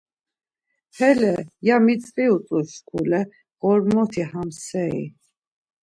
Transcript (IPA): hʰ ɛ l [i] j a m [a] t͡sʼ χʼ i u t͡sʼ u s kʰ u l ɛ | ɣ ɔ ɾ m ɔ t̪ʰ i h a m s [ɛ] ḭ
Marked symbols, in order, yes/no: no, no, yes

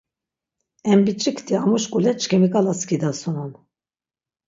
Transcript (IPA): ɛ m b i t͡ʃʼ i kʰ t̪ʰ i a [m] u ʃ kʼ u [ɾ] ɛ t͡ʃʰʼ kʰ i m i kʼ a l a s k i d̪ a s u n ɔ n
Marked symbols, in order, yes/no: yes, no

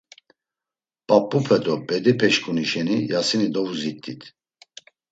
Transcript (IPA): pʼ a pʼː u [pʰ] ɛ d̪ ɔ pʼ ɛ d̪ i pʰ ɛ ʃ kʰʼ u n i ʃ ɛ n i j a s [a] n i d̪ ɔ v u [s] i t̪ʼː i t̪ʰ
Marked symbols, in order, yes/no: yes, no, no

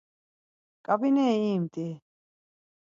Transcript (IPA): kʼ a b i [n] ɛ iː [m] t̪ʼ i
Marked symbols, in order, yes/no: yes, yes

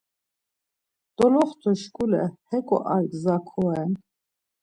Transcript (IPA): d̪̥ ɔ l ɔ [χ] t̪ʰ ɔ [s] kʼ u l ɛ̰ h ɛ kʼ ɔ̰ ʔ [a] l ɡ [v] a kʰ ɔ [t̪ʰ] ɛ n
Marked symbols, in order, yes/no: yes, no, yes, no, no

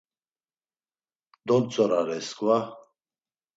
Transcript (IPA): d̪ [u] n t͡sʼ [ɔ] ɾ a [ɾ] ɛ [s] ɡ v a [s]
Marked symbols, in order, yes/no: no, yes, yes, yes, no

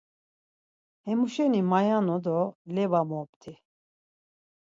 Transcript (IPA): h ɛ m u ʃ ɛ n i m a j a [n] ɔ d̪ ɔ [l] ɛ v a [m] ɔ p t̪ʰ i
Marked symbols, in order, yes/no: yes, yes, yes

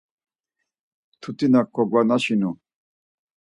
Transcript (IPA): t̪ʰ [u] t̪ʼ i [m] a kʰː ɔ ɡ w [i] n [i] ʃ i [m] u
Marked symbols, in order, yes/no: yes, no, no, no, no

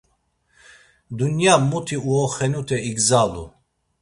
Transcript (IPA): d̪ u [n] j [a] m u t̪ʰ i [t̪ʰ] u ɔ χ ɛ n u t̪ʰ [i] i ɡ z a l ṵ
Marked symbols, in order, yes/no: yes, yes, no, no

